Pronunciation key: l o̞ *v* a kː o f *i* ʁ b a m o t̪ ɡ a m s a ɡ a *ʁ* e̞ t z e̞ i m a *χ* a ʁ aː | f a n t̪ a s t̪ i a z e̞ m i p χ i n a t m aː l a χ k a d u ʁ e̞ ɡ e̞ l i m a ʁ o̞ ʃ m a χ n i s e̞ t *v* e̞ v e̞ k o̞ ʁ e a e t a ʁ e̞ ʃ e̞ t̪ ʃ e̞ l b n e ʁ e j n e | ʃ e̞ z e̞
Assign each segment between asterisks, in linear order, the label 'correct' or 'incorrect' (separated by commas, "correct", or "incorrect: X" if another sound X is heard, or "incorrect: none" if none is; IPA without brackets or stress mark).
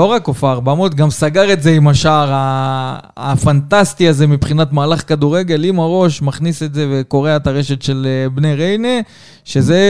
incorrect: ʁ, incorrect: a, correct, incorrect: ʃ, incorrect: z